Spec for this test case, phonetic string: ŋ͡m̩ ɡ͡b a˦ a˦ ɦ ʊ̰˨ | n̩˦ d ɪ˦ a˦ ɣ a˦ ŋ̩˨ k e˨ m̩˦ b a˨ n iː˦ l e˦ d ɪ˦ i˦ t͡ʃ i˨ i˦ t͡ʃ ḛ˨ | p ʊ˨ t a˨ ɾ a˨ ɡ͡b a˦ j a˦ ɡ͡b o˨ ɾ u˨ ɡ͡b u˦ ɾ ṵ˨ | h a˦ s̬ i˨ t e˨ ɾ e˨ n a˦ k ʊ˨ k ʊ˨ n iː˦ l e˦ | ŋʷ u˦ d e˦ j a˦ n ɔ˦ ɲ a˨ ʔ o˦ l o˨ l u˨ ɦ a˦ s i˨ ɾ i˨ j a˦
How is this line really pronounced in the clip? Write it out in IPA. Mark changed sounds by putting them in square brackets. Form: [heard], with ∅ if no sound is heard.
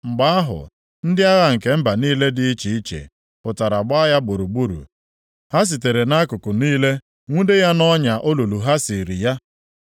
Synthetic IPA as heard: ŋ͡m̩ ɡ͡b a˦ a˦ ɦ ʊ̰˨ | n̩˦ d ɪ˦ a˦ ɣ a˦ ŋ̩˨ k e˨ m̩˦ b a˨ n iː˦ l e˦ d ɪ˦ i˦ t͡ʃ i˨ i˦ t͡ʃ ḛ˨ | p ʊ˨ t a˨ ɾ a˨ ɡ͡b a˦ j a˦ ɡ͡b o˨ ɾ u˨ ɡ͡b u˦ ɾ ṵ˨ | h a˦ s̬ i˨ t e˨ ɾ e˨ n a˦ k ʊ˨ k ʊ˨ n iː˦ l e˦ | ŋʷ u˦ d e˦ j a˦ n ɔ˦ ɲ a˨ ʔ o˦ l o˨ l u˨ ɦ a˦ s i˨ ɾ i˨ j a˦